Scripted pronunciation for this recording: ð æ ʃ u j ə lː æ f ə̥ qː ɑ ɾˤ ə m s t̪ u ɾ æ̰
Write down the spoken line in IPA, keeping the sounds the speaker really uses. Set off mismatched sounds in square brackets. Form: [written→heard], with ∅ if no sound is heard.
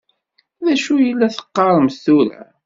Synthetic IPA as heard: ð æ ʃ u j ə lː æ [f→θ] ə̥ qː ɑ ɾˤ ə m s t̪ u ɾ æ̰